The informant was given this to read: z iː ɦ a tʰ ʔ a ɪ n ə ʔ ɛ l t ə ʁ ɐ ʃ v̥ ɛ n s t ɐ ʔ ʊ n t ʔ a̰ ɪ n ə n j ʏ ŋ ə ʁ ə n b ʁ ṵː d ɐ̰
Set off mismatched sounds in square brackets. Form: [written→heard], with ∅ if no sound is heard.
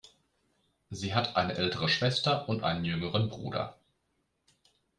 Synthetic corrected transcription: z iː ɦ a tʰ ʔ a ɪ n ə ʔ ɛ l t ə ʁ [ɐ→ə] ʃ v̥ ɛ [n→∅] s t ɐ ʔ ʊ n t ʔ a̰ ɪ n ə n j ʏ ŋ ə ʁ ə n b ʁ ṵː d ɐ̰